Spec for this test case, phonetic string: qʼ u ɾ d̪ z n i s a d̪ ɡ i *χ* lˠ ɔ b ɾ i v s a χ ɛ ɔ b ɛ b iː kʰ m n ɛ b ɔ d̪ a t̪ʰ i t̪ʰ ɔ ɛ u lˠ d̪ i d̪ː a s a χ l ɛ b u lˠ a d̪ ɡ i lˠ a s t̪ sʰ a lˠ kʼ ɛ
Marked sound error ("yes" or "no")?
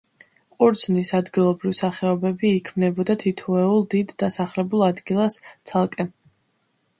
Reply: yes